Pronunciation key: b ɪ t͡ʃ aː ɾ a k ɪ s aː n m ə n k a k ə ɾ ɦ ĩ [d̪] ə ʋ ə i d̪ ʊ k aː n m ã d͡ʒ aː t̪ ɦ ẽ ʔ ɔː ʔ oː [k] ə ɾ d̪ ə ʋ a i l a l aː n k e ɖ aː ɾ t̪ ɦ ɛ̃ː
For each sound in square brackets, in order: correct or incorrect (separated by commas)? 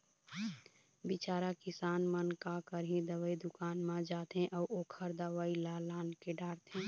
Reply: correct, incorrect